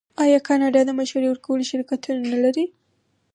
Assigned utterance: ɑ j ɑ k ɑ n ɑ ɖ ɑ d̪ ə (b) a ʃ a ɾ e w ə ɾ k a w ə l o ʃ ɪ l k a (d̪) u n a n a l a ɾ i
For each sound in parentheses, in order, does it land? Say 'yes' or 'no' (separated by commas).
no, no